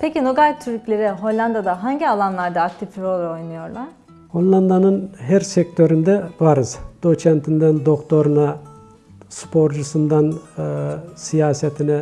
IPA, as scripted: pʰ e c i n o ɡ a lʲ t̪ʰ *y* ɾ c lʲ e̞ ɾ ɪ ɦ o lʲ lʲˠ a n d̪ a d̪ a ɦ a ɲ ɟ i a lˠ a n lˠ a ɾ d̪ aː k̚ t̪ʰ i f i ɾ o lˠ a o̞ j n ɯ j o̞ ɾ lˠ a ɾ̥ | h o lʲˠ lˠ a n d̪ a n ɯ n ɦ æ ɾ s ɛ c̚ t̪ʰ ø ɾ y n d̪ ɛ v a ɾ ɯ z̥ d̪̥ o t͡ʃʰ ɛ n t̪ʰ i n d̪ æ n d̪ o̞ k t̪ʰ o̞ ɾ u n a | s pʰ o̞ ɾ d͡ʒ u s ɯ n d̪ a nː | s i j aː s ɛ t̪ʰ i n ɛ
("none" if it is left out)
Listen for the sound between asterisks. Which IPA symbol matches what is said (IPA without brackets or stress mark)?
y